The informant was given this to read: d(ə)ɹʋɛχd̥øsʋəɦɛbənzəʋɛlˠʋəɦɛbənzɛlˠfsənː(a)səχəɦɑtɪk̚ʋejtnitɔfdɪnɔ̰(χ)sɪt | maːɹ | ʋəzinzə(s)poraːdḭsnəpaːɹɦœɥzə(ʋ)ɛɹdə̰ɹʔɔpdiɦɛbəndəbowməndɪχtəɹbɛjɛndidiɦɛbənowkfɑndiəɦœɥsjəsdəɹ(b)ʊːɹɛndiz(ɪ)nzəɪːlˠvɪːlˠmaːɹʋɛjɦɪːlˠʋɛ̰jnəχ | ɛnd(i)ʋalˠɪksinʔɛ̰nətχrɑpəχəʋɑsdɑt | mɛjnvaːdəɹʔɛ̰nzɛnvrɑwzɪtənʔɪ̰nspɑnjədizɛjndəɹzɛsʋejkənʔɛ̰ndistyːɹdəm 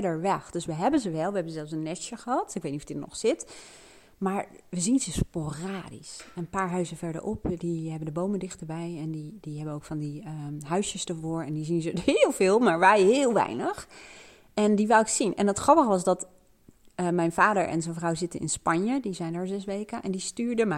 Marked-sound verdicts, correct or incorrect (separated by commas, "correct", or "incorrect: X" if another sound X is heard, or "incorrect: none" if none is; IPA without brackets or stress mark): correct, incorrect: ɛ, correct, correct, incorrect: v, incorrect: v, incorrect: i, correct